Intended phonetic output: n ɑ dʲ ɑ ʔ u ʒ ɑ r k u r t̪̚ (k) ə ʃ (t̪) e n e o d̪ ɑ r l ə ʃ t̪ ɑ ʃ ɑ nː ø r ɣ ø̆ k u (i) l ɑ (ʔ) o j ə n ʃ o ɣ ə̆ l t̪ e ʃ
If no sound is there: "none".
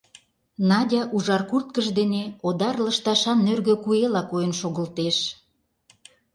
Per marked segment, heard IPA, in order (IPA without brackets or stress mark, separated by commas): k, d̪, e, k